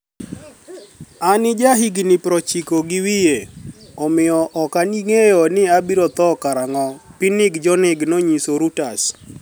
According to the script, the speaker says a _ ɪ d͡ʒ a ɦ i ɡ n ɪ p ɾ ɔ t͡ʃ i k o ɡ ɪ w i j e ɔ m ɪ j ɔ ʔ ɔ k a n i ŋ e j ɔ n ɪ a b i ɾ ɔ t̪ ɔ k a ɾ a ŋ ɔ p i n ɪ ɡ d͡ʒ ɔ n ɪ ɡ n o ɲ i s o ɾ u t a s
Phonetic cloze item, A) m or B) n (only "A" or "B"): B